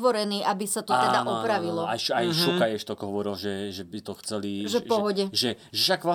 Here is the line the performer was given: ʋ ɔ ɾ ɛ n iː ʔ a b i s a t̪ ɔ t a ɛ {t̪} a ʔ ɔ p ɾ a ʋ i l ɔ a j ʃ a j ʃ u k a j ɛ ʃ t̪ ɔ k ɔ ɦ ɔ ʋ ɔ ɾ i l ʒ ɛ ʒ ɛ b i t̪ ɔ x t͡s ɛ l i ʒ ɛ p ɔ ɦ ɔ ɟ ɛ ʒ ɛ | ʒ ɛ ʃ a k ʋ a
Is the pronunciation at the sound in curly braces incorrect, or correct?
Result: incorrect